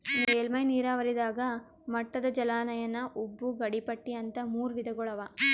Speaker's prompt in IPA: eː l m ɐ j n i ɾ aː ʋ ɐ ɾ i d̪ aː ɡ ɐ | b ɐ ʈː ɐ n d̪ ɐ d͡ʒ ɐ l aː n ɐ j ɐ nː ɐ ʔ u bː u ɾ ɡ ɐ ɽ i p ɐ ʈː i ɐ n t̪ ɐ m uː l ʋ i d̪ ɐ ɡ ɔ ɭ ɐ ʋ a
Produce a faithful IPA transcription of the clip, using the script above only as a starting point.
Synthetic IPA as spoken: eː l m ɐ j n iː ɾ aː ʋ ɐ ɾ i d̪ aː ɡ ɐ | m ɐ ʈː ɐ d̪ ɐ d͡ʒ ɐ l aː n ɐ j ɐ nː ɐ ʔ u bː u ɡ ɐ ɽ i p ɐ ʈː i ɐ n t̪ ɐ m uː ɾ ʋ i d̪ ɐ ɡ ɔ ɭ ɐ ʋ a